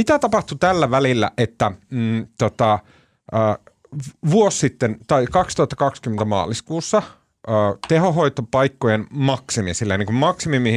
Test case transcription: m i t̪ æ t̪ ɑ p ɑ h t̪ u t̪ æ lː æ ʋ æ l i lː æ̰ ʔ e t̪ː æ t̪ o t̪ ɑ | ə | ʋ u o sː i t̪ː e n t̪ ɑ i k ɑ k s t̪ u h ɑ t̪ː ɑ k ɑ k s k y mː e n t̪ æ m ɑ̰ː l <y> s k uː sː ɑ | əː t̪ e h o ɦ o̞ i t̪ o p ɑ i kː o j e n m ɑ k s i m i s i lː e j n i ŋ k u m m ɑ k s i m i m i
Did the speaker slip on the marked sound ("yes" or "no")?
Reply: yes